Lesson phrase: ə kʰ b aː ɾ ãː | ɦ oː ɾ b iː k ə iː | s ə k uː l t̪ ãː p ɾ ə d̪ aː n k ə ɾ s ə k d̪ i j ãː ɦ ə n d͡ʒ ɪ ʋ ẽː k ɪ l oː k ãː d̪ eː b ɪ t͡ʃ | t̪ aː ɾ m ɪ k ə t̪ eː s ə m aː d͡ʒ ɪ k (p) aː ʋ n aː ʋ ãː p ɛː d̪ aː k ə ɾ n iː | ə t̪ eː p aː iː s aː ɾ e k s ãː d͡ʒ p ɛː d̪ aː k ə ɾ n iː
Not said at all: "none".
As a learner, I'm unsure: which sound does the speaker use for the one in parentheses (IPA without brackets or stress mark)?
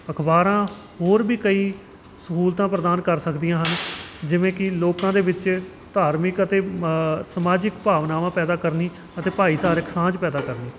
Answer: p